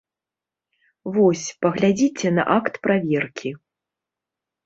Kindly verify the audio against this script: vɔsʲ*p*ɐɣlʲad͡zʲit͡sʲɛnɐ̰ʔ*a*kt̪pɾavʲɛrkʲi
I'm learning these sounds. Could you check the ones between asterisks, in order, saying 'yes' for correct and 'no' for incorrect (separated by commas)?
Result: yes, yes